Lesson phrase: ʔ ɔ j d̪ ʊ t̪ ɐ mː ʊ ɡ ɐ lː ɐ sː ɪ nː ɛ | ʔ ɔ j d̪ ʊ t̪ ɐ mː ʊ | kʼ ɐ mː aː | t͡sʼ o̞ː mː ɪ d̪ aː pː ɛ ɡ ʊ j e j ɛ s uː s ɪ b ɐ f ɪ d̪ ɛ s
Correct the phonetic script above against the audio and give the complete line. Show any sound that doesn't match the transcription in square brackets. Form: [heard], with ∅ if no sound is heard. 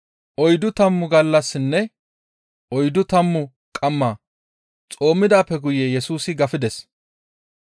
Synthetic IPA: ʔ ɔ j d̪ ʊ t̪ ɐ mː ʊ ɡ ɐ lː ɐ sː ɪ nː ɛ | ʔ ɔ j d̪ ʊ t̪ ɐ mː ʊ | kʼ ɐ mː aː | t͡sʼ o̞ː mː ɪ d̪ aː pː ɛ ɡ ʊ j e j ɛ s uː s ɪ [ɡ] ɐ f ɪ d̪ ɛ s

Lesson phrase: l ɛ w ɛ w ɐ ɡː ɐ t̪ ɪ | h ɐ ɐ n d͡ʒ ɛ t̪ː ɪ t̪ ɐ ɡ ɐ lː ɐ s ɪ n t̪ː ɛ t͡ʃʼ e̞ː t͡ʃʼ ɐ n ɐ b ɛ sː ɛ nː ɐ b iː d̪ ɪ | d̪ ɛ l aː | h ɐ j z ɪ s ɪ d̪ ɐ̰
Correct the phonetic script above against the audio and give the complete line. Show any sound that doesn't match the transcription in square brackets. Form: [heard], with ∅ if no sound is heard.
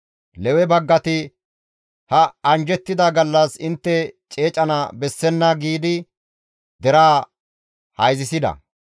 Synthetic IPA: l ɛ w ɛ [b] ɐ ɡː ɐ t̪ ɪ | h ɐ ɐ n d͡ʒ ɛ t̪ː ɪ [d̪] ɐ ɡ ɐ lː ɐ s ɪ n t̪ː ɛ t͡ʃʼ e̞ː t͡ʃʼ ɐ n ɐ b ɛ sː ɛ nː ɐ [ɡ] iː d̪ ɪ | d̪ ɛ [ɾ] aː | h ɐ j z ɪ s ɪ d̪ ɐ̰

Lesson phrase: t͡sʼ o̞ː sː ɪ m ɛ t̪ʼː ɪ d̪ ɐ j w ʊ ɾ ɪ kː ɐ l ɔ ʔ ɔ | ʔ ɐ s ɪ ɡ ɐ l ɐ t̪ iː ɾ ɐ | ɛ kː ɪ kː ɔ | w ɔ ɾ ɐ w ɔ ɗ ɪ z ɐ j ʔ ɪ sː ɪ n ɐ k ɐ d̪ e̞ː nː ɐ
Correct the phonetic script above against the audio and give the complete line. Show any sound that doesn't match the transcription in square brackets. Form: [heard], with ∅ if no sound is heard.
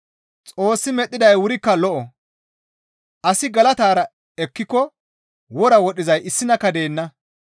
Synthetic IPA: t͡sʼ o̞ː sː ɪ m ɛ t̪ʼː ɪ d̪ ɐ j w ʊ ɾ ɪ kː ɐ l ɔ ʔ ɔ | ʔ ɐ s ɪ ɡ ɐ l ɐ t̪ [aː] ɾ ɐ | ɛ kː ɪ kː ɔ | w ɔ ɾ ɐ w ɔ ɗ ɪ z ɐ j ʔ ɪ sː ɪ n ɐ k ɐ d̪ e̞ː nː ɐ

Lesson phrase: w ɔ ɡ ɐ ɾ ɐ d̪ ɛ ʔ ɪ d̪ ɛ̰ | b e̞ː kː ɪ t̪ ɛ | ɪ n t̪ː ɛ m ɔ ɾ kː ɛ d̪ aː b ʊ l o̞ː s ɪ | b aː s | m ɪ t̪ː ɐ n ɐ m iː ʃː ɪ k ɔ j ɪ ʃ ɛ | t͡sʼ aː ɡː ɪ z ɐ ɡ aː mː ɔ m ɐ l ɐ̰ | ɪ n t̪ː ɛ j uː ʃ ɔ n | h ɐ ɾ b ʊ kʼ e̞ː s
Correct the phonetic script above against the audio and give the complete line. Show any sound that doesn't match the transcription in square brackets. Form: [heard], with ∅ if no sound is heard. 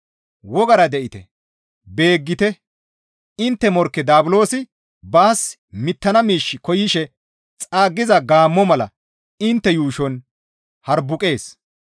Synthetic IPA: w ɔ ɡ ɐ ɾ ɐ d̪ ɛ ʔ ɪ [t̪] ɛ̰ | b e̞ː [ɡː] ɪ t̪ ɛ | ɪ n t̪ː ɛ m ɔ ɾ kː ɛ d̪ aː b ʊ l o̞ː s ɪ | b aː s | m ɪ t̪ː ɐ n ɐ m iː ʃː ɪ k ɔ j ɪ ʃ ɛ | t͡sʼ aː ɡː ɪ z ɐ ɡ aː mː ɔ m ɐ l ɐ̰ | ɪ n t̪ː ɛ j uː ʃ ɔ n | h ɐ ɾ b ʊ kʼ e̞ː s

